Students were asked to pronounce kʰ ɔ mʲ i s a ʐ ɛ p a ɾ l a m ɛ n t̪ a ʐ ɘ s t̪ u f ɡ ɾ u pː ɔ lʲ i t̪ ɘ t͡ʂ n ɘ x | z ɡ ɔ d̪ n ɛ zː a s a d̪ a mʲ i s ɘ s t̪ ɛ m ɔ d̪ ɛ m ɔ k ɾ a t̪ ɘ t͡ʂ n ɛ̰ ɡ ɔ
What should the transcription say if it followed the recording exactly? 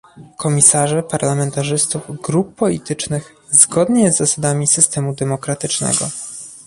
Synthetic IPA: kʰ ɔ mʲ i s a ʐ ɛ p a ɾ l a m ɛ n t̪ a ʐ ɘ s t̪ u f ɡ ɾ u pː ɔ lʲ i t̪ ɘ t͡ʂ n ɘ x | z ɡ ɔ d̪ ɲ ɛ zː a s a d̪ a mʲ i s ɘ s t̪ ɛ m u d̪ ɛ m ɔ k ɾ a t̪ ɘ t͡ʂ n ɛ̰ ɡ ɔ